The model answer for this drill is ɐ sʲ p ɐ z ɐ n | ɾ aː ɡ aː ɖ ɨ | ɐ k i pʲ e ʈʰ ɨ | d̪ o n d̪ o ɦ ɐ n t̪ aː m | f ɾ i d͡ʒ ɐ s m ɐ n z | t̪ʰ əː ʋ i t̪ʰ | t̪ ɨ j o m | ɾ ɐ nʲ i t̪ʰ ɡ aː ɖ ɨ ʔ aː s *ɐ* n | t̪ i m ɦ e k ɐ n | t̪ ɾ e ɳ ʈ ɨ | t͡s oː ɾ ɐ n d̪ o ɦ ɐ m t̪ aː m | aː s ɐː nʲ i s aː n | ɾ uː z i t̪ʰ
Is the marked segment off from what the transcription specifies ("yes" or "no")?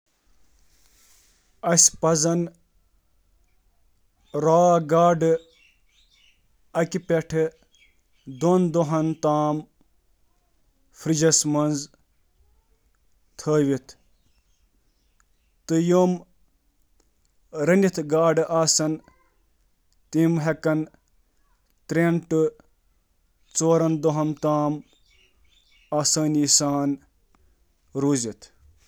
no